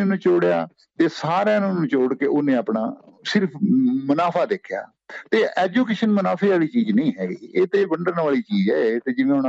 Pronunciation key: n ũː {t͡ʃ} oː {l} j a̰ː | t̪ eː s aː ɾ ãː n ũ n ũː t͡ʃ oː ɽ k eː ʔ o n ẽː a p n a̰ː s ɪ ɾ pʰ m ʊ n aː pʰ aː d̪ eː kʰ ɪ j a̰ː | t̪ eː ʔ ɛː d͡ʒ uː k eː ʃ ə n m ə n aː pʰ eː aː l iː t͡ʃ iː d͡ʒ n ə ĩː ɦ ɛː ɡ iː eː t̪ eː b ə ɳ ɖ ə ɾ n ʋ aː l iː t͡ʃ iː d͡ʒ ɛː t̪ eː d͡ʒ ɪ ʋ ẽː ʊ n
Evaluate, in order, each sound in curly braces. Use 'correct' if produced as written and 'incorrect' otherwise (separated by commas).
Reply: correct, incorrect